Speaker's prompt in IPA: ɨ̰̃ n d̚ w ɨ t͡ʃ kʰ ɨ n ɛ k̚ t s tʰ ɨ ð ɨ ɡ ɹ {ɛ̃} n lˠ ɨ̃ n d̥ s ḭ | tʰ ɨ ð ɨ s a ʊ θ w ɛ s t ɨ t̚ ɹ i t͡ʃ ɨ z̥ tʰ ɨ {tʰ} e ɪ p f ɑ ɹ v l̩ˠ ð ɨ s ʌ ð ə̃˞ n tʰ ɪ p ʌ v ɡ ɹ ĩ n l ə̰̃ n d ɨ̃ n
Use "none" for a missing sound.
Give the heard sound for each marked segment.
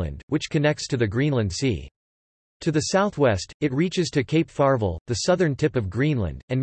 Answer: ĩ, kʰ

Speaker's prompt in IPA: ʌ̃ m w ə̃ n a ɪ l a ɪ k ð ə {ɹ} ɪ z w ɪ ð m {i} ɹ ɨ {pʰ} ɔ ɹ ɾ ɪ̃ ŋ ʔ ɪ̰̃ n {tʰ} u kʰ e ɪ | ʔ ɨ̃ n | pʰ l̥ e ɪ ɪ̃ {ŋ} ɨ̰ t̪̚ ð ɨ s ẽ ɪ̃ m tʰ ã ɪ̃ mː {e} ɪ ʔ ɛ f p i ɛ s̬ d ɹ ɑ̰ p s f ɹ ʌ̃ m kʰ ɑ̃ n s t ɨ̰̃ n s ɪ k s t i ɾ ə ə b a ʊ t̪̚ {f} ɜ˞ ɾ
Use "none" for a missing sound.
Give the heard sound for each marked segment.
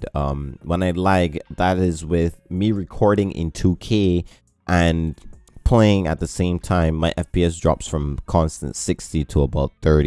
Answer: ɾ, i, kʰ, tʰ, ŋ, a, θ

